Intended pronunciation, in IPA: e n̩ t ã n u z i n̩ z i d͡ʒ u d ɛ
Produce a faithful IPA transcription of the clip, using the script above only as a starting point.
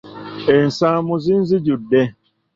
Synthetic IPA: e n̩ s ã m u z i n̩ z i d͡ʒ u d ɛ